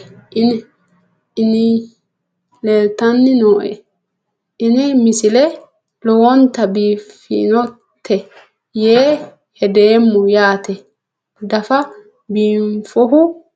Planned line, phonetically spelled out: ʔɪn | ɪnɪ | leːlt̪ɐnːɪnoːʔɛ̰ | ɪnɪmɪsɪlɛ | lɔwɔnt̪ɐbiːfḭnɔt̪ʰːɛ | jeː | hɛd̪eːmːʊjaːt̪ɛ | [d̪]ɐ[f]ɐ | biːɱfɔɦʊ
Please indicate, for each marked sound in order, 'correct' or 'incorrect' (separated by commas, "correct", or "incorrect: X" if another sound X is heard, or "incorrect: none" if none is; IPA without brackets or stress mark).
correct, correct